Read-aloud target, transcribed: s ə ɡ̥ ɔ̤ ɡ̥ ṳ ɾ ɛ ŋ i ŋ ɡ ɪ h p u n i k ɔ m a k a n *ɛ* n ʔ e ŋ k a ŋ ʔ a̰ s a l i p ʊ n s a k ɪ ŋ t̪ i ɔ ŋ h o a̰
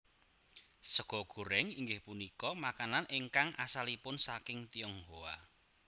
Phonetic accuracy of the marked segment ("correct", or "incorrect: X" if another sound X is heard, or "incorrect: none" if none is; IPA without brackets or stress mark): incorrect: a